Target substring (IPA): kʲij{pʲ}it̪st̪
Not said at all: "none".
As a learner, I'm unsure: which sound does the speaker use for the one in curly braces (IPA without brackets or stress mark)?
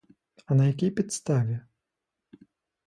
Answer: pʲ